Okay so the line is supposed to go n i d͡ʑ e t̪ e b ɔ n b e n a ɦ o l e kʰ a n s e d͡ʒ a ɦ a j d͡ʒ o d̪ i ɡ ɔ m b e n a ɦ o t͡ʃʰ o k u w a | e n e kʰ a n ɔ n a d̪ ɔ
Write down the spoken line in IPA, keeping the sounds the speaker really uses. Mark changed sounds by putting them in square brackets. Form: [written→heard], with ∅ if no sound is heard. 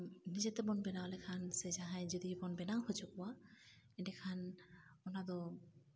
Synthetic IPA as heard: n i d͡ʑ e t̪ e b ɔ n b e n a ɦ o l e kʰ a n s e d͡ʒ a ɦ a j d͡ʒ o d̪ i [ɡ→b] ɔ [m→n] b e n a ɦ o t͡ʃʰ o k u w a | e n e kʰ a n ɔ n a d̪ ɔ